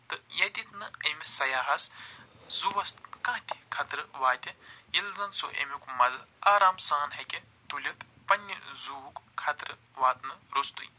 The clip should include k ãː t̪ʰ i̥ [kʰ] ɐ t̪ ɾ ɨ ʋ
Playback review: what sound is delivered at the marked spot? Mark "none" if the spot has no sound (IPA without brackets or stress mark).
kʰ